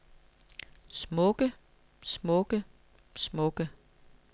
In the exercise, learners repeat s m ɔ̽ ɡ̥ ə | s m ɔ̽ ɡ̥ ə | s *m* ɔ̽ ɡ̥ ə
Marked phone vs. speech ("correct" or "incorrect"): correct